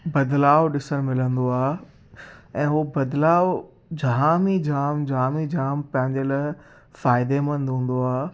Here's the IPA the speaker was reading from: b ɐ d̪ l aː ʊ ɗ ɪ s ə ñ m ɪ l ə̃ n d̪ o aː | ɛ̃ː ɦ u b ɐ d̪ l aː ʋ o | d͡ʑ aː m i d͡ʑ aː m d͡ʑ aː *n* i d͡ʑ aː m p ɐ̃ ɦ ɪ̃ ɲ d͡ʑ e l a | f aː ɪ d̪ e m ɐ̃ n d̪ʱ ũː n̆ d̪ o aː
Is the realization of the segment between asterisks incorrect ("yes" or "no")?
yes